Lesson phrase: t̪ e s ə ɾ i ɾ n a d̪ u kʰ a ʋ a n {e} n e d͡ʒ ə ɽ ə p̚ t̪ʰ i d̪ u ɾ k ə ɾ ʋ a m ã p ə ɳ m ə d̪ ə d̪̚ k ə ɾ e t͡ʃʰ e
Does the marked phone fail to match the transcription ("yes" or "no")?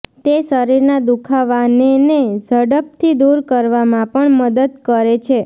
no